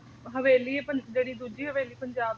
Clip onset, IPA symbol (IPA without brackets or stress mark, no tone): ɦ